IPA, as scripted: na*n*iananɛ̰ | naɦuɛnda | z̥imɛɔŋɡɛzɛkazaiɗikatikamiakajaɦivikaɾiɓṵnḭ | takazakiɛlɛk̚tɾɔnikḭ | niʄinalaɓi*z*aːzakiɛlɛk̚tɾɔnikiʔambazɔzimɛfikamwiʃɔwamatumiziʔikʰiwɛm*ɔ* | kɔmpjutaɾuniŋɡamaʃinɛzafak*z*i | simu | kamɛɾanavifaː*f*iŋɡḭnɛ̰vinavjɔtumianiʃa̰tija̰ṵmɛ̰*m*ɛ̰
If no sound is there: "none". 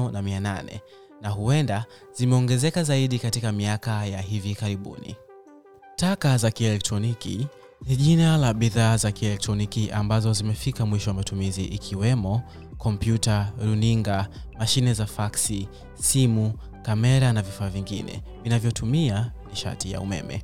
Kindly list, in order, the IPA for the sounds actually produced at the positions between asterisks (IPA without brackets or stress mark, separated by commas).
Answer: m, ð, ɔ, s, v, m